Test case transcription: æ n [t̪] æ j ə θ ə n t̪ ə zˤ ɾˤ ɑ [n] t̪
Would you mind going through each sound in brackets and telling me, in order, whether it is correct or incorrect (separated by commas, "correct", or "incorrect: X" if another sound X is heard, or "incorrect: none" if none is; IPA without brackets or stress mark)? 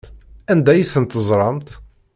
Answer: incorrect: d̪, incorrect: m